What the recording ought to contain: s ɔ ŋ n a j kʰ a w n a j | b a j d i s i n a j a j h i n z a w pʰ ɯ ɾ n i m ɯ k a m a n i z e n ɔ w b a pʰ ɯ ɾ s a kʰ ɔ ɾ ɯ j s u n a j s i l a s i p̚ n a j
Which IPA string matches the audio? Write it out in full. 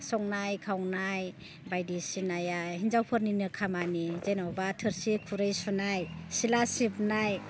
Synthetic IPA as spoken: s ɔ ŋ n a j kʰ a w n a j | b a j d i s i n a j a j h i n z a w pʰ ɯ ɾ n i n ɯ kʰ a m a n i z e n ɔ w b a tʰ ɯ ɾ s i kʰ u ɾ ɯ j s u n a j s i l a s i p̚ n a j